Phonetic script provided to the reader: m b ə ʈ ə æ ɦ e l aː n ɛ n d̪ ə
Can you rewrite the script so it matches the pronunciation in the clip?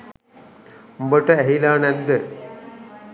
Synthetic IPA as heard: m b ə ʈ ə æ ɦ i l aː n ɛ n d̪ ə